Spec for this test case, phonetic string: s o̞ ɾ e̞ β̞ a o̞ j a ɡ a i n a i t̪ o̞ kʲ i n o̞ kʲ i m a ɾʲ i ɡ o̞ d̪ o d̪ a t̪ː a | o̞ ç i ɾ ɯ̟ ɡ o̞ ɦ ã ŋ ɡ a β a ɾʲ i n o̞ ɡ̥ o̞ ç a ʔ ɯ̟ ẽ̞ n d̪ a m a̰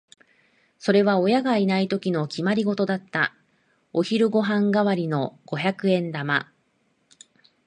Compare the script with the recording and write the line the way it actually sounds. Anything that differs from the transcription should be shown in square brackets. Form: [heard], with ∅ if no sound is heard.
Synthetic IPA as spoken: s o̞ ɾ e̞ β̞ a o̞ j a ɡ a i n a i t̪ o̞ kʲ i n o̞ kʲ i m a ɾʲ i ɡ o̞ [t̪] o d̪ a t̪ː a | o̞ ç i ɾ ɯ̟ ɡ o̞ ɦ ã ŋ ɡ a β a ɾʲ i n o̞ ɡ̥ o̞ ç a [k] ɯ̟ ẽ̞ n d̪ a m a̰